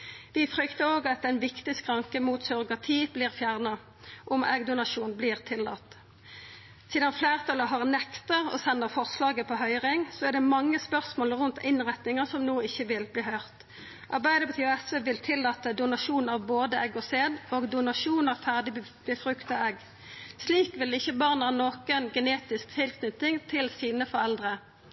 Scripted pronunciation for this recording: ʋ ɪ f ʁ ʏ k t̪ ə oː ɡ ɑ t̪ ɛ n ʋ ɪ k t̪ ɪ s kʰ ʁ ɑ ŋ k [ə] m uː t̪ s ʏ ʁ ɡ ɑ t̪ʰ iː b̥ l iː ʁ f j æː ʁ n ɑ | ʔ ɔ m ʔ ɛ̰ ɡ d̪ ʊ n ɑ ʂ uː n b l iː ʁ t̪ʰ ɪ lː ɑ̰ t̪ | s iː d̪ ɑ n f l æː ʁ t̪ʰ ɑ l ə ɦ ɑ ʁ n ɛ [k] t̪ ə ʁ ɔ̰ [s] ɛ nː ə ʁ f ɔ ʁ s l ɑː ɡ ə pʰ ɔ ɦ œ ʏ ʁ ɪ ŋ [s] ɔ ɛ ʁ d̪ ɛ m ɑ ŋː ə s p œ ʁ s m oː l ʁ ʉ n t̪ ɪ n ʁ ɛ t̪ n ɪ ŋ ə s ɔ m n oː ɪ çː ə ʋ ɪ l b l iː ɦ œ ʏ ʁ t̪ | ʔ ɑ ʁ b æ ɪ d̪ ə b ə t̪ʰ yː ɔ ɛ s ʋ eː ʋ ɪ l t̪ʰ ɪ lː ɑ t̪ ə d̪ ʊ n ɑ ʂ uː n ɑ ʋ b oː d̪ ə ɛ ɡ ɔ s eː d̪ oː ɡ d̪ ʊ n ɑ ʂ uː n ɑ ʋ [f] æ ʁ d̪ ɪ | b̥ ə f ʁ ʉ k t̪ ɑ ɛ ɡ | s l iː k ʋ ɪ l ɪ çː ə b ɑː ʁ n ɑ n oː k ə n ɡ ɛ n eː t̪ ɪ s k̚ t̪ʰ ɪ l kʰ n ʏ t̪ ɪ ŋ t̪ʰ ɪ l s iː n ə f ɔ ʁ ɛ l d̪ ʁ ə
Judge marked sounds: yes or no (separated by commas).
yes, yes, yes, yes, yes